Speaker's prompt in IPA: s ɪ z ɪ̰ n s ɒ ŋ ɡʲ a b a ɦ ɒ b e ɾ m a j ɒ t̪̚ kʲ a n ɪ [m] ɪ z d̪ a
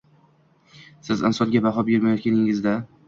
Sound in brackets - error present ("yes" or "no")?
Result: yes